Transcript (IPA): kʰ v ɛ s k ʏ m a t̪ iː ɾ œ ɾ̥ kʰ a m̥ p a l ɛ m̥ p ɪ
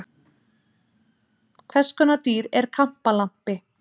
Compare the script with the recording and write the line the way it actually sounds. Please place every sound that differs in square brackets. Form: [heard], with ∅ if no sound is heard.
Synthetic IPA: kʰ v ɛ s k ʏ [n] a t̪ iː ɾ [ɛ] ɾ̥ kʰ a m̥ p a l [a] m̥ p ɪ